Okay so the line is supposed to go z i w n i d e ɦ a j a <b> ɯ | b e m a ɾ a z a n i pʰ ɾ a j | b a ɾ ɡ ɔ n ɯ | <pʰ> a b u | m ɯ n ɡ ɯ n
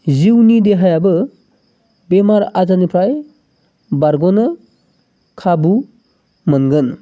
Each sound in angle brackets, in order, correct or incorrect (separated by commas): correct, incorrect